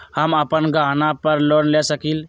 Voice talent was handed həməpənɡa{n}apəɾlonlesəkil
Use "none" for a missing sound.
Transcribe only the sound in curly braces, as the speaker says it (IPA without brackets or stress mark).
n